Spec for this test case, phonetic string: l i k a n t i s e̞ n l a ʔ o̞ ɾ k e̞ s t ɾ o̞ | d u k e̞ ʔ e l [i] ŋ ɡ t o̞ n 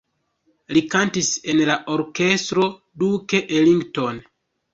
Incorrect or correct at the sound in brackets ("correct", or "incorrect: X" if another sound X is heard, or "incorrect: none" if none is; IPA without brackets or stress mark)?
correct